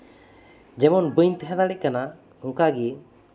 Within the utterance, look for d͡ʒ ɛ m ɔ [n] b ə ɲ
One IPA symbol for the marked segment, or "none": n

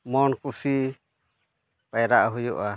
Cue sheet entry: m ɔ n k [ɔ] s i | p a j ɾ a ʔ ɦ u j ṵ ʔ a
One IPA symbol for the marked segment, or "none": u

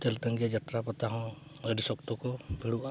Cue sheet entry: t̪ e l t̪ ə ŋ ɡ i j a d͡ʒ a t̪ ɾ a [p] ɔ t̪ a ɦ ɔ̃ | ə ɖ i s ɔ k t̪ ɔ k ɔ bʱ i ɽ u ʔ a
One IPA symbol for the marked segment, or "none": p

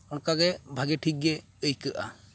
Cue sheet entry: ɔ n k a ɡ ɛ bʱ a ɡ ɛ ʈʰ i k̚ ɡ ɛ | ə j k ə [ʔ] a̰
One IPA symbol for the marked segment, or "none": ʔ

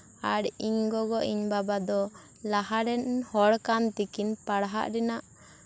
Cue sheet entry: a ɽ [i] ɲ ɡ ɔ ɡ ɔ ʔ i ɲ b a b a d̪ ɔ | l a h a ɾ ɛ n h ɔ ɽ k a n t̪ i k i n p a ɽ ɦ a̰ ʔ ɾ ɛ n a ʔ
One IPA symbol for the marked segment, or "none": i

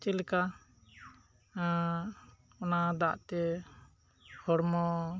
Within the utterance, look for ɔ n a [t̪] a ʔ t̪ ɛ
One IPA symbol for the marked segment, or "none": d̪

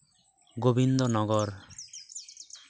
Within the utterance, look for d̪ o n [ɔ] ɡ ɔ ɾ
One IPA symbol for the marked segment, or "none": ɔ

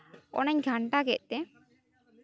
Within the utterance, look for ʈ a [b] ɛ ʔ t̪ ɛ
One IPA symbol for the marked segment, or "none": ɡ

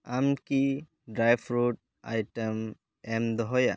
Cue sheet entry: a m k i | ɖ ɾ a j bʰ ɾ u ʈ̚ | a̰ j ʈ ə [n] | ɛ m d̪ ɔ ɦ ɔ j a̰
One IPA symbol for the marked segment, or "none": m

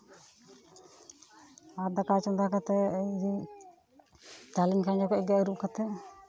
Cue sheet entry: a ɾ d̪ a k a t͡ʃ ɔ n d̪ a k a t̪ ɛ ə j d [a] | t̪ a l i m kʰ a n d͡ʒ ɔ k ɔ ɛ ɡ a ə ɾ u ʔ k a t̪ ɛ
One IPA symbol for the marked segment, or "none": i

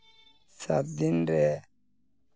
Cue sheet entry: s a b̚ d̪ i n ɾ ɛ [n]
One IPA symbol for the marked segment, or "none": none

